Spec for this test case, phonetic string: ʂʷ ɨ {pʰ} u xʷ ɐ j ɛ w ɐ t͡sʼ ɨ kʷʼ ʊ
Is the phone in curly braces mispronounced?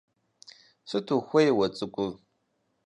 yes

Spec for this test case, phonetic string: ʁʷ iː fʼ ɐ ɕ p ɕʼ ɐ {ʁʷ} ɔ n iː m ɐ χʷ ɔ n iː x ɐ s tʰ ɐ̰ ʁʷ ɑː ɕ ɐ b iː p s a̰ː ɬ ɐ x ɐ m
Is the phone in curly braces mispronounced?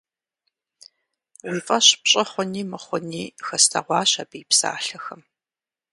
yes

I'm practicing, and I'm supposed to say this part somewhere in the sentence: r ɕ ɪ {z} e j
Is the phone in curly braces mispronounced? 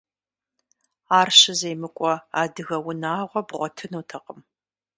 no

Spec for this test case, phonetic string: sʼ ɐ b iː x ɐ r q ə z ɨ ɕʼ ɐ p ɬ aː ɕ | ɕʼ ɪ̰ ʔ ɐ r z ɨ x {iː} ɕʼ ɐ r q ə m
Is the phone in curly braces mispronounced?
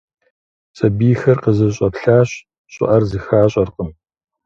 yes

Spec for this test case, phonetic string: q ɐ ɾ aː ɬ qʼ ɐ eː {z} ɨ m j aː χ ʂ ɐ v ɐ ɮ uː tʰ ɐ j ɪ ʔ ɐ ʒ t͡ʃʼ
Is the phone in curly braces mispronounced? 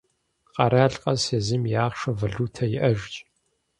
no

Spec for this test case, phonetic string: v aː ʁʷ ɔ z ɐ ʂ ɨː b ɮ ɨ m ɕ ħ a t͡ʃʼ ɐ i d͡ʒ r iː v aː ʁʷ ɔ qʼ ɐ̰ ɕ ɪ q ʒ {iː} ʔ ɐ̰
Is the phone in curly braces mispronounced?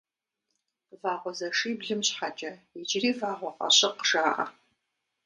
yes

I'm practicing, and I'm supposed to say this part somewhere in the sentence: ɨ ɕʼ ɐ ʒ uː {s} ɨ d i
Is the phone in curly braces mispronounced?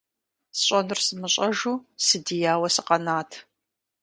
no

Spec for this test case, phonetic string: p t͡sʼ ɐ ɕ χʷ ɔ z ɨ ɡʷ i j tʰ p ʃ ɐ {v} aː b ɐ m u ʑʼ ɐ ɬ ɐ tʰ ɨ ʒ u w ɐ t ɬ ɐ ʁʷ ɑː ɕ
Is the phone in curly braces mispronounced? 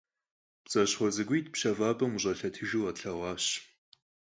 no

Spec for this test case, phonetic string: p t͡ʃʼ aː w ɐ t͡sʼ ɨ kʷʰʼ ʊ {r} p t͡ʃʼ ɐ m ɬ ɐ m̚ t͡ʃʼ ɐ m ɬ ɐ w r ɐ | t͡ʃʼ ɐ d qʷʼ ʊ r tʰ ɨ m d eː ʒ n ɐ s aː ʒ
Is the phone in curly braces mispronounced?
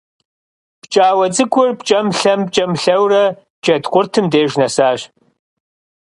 no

